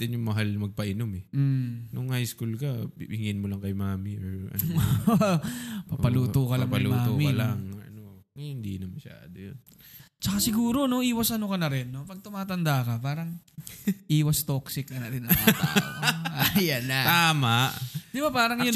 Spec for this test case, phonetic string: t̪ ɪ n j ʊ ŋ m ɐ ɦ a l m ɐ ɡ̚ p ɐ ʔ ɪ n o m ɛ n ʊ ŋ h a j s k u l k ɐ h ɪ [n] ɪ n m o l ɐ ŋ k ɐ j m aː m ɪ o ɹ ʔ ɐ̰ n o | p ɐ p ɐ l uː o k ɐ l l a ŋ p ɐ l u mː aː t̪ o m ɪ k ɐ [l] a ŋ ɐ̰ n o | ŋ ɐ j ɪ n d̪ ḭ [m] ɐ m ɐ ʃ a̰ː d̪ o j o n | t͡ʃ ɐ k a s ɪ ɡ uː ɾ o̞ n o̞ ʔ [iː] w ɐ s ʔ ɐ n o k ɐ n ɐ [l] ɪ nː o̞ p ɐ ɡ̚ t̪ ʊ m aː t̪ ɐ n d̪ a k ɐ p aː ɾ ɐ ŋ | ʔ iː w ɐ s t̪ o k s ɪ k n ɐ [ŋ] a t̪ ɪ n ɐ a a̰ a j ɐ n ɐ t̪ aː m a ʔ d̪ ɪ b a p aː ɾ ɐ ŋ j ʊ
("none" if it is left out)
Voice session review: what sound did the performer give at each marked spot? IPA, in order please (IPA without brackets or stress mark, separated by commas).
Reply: ŋ, l, n, iː, ɾ, n